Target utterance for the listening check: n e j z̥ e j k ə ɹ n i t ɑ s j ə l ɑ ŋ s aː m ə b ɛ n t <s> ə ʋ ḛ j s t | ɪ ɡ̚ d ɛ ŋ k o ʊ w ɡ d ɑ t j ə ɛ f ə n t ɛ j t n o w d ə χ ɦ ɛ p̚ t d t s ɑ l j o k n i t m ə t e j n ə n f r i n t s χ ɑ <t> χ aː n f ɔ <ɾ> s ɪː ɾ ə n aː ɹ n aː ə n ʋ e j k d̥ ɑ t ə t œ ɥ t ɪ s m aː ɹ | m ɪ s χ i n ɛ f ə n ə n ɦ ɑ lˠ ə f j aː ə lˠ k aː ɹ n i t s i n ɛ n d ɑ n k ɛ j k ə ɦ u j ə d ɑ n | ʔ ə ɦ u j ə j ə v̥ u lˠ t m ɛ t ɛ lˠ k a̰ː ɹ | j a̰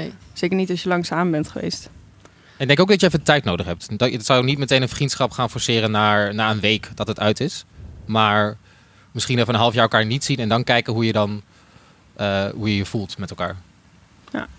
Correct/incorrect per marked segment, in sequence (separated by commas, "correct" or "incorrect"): incorrect, incorrect, incorrect